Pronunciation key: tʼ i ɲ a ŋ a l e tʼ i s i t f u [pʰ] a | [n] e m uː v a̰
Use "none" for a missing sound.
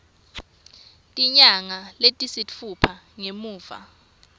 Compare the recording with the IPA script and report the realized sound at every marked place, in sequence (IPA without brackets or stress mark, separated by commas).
pʰ, ŋ